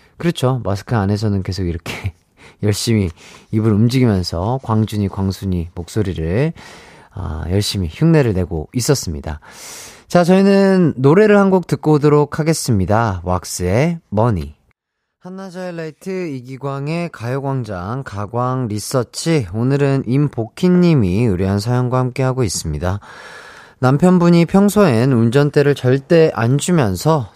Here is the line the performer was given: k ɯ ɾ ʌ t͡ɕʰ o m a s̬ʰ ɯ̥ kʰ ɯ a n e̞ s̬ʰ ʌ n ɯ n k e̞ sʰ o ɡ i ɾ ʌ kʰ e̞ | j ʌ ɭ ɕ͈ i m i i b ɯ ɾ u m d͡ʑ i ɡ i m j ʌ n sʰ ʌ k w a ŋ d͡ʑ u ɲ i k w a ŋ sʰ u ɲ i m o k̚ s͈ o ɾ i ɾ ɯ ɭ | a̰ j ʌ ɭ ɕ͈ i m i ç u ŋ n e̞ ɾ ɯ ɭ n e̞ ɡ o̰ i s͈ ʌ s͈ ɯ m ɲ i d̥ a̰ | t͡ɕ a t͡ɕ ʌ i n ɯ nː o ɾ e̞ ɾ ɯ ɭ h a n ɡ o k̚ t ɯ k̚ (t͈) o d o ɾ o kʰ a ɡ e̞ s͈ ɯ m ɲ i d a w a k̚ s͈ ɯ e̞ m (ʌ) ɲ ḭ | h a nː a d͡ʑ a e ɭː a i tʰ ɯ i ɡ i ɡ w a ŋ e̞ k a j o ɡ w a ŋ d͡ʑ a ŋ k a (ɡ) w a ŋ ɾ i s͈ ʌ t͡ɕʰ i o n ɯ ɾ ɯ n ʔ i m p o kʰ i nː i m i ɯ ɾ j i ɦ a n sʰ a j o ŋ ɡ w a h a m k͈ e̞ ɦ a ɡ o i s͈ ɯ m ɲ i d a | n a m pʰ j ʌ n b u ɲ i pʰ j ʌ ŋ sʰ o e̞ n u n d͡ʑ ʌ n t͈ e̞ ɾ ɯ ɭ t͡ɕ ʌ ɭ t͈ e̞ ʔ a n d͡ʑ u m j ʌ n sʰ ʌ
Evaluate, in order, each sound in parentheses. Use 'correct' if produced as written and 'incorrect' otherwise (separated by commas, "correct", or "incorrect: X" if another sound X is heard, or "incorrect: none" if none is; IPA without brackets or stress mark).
incorrect: k͈, correct, correct